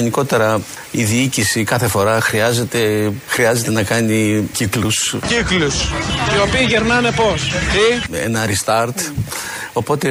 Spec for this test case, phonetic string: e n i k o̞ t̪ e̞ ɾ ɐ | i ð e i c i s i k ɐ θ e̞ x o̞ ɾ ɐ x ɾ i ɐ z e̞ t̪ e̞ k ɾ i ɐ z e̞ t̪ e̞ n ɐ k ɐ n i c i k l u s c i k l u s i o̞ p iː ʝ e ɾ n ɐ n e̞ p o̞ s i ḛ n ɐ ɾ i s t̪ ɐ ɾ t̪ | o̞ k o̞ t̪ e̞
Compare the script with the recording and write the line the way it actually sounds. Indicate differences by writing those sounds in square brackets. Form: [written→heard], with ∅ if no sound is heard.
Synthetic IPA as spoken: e n i k o̞ t̪ e̞ ɾ ɐ | i ð [e→i] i c i s i k ɐ θ e̞ [x→f] o̞ ɾ ɐ x ɾ i ɐ z e̞ t̪ e̞ [k→x] ɾ i ɐ z e̞ t̪ e̞ n ɐ k ɐ n i c i k l u s c i k l u s i o̞ p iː ʝ e ɾ n ɐ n e̞ p o̞ s i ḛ n ɐ ɾ i s t̪ ɐ ɾ t̪ | o̞ [k→p] o̞ t̪ e̞